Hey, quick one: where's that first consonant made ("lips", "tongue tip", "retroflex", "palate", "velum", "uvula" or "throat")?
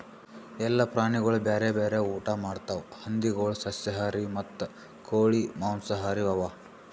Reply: tongue tip